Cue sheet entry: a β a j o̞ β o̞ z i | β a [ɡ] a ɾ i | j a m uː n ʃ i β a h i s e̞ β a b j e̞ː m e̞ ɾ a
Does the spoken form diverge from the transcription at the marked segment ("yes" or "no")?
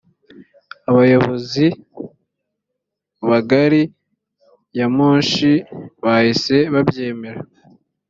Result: no